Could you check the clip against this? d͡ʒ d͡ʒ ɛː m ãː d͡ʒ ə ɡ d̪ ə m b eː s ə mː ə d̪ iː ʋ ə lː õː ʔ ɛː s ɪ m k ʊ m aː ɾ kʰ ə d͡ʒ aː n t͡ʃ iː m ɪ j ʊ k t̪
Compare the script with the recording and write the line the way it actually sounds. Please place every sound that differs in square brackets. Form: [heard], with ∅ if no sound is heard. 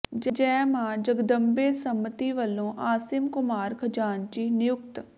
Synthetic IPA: d͡ʒ d͡ʒ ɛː m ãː d͡ʒ ə ɡ d̪ ə m b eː s ə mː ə [t̪] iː ʋ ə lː õː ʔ [aː] s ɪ m k ʊ m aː ɾ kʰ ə d͡ʒ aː n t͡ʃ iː [n] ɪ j ʊ k t̪